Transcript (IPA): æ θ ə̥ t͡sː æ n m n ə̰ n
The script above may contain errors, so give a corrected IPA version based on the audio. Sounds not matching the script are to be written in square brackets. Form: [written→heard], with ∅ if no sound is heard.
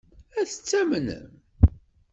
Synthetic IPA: æ θ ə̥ t͡sː æ [n→∅] m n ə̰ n